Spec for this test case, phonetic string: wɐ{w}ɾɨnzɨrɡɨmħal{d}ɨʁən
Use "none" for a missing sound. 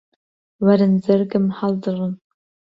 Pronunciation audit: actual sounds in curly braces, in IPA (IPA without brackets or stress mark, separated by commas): none, d